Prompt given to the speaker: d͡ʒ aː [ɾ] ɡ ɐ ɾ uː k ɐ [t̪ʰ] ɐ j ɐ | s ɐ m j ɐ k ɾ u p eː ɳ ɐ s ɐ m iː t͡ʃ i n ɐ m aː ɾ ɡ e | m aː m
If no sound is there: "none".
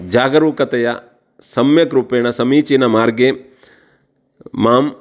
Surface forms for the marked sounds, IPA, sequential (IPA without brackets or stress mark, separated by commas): none, t̪